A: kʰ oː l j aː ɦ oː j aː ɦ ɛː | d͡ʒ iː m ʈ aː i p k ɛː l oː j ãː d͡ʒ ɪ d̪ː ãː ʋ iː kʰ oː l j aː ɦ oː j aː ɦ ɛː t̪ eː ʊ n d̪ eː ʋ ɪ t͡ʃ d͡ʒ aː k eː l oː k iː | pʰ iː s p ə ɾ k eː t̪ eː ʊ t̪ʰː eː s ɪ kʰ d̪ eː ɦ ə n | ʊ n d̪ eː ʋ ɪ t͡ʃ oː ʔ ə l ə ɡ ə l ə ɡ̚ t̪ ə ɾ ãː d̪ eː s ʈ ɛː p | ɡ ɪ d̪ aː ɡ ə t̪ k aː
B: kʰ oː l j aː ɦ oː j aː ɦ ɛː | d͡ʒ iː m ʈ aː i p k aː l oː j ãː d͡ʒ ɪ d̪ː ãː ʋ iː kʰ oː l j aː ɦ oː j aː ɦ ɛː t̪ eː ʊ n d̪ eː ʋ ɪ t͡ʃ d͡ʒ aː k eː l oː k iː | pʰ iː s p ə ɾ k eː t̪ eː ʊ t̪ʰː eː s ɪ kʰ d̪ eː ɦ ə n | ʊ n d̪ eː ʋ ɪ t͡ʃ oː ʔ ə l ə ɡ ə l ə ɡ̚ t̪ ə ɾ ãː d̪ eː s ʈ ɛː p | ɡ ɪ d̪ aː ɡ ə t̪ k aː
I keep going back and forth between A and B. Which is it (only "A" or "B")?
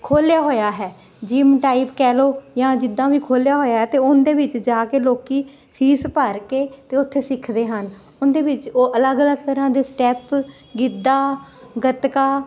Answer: A